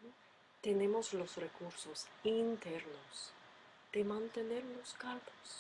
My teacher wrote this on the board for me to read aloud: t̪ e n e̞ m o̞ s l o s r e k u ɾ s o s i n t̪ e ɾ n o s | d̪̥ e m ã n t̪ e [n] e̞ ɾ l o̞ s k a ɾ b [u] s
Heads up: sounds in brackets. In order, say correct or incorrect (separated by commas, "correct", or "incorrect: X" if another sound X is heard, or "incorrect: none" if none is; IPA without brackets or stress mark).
correct, incorrect: o